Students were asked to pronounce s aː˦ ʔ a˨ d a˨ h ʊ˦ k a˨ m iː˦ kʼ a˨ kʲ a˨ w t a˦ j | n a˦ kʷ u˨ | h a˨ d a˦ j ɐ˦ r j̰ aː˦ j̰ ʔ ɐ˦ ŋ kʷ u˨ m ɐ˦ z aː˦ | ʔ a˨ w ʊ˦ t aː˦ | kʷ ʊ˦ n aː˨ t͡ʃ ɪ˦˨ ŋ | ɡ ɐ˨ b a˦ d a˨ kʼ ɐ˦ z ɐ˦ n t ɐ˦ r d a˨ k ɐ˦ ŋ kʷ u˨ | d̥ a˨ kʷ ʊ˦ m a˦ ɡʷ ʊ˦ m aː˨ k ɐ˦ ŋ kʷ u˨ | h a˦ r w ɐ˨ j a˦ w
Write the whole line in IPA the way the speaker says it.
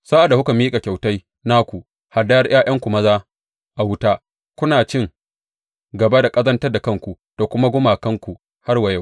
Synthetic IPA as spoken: s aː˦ ʔ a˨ d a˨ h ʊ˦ k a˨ m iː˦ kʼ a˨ kʲ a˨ w t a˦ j | n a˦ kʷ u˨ | h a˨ d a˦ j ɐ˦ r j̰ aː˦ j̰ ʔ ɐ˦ ŋ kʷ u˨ m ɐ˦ z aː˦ | ʔ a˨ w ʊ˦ t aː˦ | kʷ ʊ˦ n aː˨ t͡ʃ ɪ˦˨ ŋ | ɡ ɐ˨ b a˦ d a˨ kʼ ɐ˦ z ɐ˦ n t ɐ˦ r d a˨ k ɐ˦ ŋ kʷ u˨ | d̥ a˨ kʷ ʊ˦ m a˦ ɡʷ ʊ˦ m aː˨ k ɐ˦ ŋ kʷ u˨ | h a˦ r w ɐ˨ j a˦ w